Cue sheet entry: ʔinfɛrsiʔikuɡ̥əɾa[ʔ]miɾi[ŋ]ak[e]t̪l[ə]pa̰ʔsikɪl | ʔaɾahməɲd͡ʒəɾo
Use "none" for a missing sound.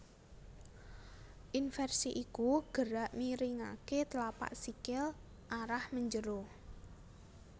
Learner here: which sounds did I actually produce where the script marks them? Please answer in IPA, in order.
ʔ, ŋ, e, a

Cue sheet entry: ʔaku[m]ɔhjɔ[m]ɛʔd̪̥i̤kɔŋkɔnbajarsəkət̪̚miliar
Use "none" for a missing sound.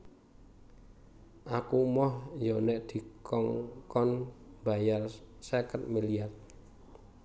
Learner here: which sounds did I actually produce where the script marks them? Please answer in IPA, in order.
m, n

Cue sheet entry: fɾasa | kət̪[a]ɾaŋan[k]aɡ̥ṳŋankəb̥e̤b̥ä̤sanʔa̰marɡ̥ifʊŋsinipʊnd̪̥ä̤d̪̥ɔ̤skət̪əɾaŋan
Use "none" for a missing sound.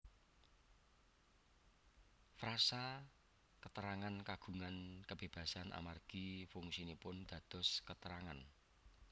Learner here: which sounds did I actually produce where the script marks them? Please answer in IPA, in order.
ə, k

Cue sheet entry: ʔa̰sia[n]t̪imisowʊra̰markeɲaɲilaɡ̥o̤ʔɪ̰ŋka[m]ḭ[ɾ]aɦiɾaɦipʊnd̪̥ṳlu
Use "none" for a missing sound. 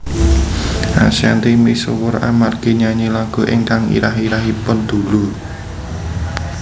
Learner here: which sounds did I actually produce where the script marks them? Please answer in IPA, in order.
n, ŋ, ɾ

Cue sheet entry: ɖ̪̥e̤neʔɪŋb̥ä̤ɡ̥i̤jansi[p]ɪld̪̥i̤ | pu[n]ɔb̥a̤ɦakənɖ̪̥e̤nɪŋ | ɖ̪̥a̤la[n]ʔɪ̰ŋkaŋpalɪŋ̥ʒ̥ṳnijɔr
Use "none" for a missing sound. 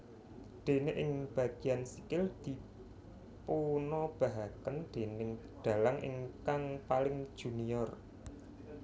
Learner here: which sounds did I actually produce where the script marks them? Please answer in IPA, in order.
k, n, ŋ

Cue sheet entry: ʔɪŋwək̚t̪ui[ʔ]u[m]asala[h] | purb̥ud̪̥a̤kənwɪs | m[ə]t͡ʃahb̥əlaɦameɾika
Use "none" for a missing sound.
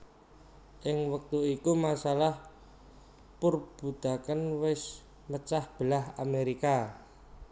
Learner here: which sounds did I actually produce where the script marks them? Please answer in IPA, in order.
k, m, h, ə

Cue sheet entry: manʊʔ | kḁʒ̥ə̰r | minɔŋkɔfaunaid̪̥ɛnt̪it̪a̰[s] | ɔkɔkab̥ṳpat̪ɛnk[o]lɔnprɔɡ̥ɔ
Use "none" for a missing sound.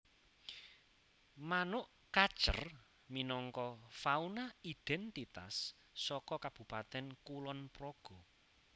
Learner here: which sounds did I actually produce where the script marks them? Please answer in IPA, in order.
sː, u

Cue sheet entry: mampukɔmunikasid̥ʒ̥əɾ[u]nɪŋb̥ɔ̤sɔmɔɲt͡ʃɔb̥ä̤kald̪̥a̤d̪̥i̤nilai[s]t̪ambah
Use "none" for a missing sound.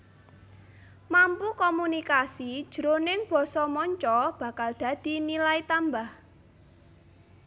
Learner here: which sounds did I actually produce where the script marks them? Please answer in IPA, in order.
o, none

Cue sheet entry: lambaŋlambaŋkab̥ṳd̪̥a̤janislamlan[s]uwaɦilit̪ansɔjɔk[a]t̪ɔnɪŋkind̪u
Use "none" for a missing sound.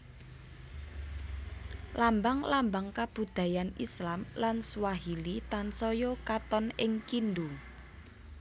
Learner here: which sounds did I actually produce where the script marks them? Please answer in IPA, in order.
s, a

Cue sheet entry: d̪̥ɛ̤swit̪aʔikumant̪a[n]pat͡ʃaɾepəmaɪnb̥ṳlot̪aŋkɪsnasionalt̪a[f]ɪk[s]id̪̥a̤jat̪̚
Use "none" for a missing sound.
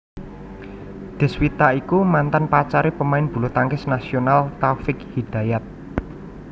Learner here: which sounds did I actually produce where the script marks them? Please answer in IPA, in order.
n, f, h

